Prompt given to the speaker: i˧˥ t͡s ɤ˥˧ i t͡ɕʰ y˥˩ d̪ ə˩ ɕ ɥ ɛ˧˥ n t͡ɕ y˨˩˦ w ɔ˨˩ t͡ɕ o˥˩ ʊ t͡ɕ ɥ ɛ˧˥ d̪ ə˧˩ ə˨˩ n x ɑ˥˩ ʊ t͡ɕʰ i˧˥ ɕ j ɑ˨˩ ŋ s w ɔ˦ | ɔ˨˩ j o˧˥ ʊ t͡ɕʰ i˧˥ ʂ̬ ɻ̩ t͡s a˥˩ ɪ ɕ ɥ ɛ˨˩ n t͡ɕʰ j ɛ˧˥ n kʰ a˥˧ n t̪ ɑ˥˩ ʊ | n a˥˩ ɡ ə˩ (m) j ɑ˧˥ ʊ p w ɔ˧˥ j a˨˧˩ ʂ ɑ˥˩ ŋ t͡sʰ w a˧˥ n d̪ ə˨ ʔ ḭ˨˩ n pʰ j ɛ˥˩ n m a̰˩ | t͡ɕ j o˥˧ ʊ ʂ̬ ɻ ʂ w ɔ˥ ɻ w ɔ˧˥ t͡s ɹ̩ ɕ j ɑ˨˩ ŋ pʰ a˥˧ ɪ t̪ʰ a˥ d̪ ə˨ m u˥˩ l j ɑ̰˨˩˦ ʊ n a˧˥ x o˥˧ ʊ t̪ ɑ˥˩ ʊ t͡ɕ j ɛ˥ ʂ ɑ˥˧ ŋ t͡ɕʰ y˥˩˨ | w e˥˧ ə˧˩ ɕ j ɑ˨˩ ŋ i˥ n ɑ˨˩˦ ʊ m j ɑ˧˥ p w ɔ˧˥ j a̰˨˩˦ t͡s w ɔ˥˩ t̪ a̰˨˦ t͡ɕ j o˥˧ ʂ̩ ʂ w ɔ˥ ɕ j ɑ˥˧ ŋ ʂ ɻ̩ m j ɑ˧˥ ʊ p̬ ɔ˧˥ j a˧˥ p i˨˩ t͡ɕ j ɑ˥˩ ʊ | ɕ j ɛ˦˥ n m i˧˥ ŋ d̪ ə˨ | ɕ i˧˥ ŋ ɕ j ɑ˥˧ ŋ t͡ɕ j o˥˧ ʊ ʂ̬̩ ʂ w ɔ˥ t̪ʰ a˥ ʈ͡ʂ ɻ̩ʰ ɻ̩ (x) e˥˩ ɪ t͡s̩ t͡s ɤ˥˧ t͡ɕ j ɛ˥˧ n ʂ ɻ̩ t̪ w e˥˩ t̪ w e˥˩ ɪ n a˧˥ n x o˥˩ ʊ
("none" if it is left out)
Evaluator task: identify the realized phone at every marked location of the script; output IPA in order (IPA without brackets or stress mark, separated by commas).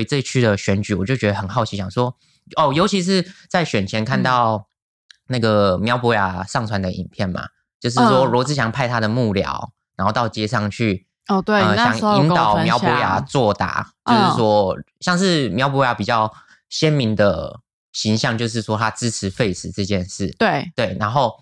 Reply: m, f